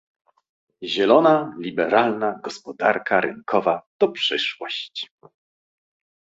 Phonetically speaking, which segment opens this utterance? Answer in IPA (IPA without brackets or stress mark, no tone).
ʑ